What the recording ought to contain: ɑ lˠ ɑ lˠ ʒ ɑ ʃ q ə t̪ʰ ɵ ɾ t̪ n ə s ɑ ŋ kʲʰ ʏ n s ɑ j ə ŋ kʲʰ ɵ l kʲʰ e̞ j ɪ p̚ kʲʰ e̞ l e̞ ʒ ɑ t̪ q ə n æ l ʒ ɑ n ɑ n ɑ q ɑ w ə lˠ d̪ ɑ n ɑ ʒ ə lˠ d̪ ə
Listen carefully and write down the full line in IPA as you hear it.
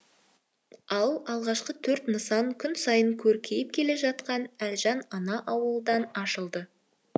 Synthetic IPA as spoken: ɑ lˠ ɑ lˠ ʁ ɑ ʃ q ə t̪ʰ ɵ ɾ t̪ n ə s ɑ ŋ kʲʰ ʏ n s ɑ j ə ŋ kʲʰ ɵ ɾ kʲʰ e̞ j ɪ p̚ kʲʰ e̞ l e̞ ʒ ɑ t̪ q ɑ n æ l ʒ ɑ n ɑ n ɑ ʔ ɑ w ə lˠ d̪ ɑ n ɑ ʃ ə lˠ d̪ ə